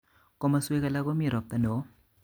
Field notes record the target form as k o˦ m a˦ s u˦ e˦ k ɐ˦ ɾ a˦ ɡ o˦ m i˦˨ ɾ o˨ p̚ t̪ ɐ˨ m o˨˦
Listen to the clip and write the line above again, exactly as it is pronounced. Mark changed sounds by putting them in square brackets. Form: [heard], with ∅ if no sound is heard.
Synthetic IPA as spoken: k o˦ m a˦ s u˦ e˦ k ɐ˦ [l] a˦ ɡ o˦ m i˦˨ ɾ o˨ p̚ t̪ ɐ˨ [n] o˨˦